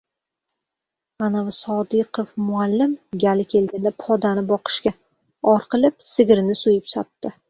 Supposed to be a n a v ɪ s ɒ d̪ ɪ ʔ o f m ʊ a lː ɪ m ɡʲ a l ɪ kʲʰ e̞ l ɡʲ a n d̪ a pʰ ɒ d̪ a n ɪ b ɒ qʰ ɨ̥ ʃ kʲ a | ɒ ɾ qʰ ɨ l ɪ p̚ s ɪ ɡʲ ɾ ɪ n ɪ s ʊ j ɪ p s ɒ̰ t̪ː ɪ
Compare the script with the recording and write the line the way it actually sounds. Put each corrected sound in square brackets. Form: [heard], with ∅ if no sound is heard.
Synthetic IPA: a n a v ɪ s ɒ d̪ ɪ [q] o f m ʊ a lː ɪ m ɡʲ a l ɪ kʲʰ e̞ l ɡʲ a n d̪ a pʰ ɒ d̪ a n ɪ b ɒ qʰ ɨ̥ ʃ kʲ a | ɒ ɾ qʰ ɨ l ɪ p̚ s ɪ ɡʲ ɾ ɪ n ɪ s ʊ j ɪ p s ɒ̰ t̪ː ɪ